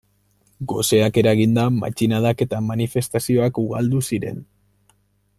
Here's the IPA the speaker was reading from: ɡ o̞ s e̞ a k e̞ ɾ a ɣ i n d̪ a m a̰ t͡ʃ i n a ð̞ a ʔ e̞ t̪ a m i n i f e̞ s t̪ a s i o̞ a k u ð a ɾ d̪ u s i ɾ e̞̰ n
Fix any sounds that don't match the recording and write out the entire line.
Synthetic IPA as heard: ɡ o̞ s e̞ a k e̞ ɾ a ɣ i n d̪ a m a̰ t͡ʃ i n a ð̞ a k e̞ t̪ a m a n i f e̞ s t̪ a s i o̞ a k u ɣ a l d̪ u s i ɾ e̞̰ n